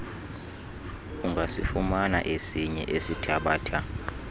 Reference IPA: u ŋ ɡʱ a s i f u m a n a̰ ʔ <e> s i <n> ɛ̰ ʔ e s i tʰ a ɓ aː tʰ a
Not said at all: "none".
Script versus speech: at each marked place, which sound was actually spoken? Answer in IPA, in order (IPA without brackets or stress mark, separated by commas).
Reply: e, ɲ